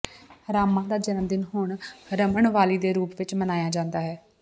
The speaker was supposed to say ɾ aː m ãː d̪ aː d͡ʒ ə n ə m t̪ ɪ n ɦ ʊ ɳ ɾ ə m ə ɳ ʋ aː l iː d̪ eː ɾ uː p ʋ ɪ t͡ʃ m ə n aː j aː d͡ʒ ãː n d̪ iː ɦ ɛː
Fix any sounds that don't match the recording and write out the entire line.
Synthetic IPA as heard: ɾ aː m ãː d̪ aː d͡ʒ ə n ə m d̪ ɪ n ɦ ʊ ɳ ɾ ə m ə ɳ ʋ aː l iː d̪ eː ɾ uː p ʋ ɪ t͡ʃ m ə n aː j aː d͡ʒ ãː n d̪ aː ɦ ɛː